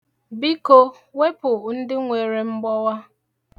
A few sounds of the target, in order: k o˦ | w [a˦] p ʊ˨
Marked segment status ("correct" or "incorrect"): incorrect